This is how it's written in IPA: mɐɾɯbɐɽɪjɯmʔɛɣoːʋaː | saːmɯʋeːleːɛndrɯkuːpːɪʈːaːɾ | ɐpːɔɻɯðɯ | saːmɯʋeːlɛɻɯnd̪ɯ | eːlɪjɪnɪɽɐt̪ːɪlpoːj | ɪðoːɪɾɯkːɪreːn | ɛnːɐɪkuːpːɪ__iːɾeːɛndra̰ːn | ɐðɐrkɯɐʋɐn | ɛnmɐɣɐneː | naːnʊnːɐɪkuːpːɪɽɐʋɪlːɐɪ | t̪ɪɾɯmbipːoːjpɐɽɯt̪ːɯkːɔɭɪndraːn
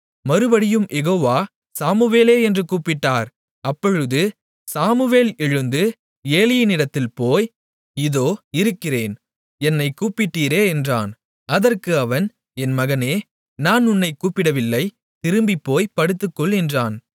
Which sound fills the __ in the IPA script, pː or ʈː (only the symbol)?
ʈː